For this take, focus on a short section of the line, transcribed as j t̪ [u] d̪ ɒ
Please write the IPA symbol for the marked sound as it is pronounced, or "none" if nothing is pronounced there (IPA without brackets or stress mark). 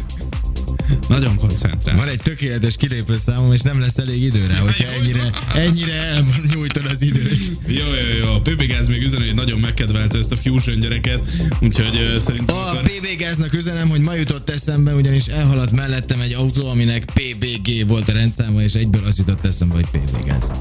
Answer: o